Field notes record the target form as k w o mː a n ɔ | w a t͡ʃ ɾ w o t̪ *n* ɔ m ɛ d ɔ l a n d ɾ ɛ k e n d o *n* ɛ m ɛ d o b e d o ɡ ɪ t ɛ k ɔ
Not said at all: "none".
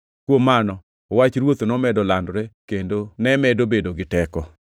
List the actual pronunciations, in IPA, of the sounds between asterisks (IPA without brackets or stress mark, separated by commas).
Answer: n, n